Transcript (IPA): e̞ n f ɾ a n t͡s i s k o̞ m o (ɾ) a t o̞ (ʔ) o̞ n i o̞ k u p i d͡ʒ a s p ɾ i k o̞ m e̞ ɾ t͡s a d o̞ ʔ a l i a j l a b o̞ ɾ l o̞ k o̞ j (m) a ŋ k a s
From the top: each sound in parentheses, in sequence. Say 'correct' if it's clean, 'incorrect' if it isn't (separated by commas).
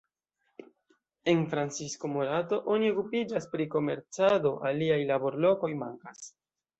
correct, correct, correct